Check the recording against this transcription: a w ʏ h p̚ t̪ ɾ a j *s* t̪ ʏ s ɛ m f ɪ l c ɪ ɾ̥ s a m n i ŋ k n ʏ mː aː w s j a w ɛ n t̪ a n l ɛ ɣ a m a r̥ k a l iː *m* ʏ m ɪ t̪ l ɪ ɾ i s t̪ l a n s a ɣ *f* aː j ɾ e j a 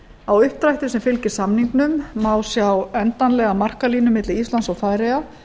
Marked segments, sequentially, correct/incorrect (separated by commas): incorrect, incorrect, correct